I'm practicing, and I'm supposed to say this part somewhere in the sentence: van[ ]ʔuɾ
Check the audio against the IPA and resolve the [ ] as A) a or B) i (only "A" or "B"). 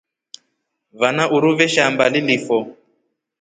A